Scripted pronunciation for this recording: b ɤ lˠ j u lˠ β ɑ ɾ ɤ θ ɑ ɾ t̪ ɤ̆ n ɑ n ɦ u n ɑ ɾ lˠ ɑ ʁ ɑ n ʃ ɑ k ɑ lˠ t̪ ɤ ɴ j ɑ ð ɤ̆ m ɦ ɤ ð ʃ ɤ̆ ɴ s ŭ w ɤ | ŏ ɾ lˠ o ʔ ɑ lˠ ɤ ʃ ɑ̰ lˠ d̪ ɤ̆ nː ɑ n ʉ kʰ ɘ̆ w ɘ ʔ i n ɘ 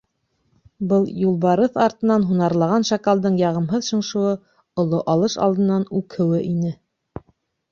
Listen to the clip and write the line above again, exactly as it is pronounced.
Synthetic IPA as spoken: b ɤ lˠ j u lˠ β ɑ ɾ ɤ θ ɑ ɾ t̪ ɤ̆ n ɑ n ɦ u n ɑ ɾ lˠ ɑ ʁ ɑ n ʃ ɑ k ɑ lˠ d̪ ɤ ɴ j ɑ ʁ ɤ̆ m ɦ ɤ ð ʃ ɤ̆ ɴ ʃ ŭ w ɤ | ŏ lˠ o ʔ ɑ lˠ ɤ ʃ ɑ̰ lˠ d̪ ɤ̆ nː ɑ n ʉ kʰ ɘ̆ w ɘ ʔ i n ɘ